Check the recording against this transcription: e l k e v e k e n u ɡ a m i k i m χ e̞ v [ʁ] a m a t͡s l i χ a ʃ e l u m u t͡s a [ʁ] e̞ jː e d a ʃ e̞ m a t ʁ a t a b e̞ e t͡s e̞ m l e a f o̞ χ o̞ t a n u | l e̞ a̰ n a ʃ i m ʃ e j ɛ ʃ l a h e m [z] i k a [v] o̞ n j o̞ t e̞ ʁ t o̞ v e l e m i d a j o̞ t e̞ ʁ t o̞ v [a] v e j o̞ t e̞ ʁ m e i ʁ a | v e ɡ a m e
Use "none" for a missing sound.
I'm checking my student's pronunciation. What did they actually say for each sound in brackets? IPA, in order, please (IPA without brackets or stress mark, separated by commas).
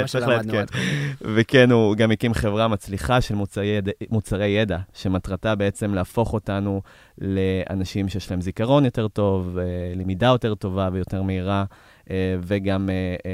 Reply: ʁ, ʁ, z, ʁ, a